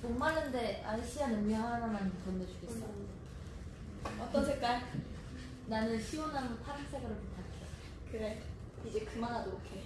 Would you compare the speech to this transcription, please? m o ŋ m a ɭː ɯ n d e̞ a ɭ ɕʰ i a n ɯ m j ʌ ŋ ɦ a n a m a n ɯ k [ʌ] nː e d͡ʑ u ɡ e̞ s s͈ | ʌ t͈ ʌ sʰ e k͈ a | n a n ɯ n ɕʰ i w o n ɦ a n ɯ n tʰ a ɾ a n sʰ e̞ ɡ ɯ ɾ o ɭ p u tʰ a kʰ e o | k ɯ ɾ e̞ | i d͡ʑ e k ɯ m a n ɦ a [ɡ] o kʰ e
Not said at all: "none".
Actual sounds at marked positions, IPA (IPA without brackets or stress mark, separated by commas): ʌ, d